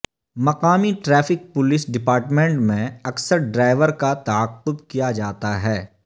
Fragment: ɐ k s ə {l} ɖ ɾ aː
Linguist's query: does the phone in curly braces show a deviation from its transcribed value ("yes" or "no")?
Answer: yes